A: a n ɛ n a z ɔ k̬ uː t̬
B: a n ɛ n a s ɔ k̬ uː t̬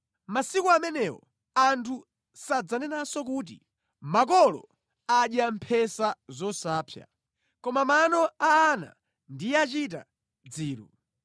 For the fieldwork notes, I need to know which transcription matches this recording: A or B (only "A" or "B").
B